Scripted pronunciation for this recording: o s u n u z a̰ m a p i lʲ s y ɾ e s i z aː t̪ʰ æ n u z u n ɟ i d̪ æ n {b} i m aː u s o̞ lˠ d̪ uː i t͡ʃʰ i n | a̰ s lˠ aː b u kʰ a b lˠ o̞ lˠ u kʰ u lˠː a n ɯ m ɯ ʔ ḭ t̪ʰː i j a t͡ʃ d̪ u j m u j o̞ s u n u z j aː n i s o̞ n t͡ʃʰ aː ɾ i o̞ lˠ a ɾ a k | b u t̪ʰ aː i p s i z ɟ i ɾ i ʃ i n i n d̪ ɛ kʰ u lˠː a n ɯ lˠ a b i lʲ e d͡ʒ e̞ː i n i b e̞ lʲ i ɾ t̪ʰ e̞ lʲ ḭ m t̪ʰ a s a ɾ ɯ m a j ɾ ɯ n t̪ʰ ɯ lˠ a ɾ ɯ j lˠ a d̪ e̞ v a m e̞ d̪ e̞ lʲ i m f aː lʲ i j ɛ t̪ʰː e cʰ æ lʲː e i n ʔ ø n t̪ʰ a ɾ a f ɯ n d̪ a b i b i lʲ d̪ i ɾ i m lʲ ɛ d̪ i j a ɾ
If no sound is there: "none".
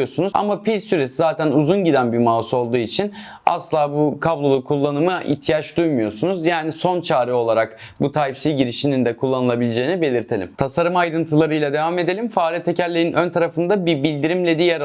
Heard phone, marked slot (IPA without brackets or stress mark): b